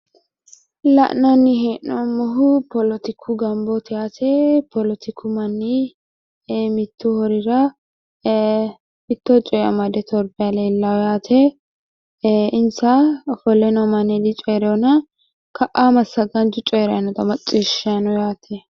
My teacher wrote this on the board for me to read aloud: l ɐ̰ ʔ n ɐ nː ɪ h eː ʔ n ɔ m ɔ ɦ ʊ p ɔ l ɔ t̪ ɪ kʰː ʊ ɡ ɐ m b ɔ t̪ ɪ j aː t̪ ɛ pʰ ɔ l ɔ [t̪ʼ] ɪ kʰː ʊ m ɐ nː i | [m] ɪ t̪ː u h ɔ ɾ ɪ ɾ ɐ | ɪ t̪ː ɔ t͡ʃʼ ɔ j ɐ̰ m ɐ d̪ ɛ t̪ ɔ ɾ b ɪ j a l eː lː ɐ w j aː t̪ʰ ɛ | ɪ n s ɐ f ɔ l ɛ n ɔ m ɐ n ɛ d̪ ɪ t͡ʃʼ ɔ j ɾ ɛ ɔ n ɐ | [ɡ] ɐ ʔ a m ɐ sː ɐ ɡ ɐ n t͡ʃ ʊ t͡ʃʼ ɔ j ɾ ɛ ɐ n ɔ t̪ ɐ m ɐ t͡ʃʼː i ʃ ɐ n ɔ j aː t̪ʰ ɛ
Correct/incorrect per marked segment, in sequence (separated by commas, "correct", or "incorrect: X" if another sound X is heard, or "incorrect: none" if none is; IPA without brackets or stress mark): incorrect: t̪, correct, incorrect: k